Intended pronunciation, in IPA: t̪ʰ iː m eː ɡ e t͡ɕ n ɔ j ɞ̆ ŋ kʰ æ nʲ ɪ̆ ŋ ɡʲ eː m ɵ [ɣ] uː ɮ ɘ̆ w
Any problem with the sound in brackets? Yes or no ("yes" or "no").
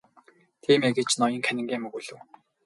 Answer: no